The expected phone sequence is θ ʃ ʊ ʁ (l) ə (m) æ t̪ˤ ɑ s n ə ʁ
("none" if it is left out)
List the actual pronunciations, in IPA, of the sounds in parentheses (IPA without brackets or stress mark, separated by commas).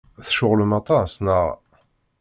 l, m